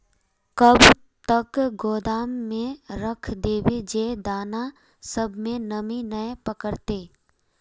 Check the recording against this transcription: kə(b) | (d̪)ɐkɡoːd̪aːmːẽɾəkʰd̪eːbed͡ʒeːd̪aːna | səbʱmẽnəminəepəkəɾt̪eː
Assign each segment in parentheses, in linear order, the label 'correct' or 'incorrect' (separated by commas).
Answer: correct, incorrect